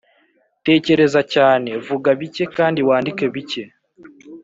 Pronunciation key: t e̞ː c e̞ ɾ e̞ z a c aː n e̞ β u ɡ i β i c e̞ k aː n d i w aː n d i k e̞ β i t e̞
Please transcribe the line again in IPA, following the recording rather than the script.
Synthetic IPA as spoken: t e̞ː c e̞ ɾ e̞ z a c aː n e̞ v u ɡ a β i c e̞ k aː n d i w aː n d i k e̞ β i c e̞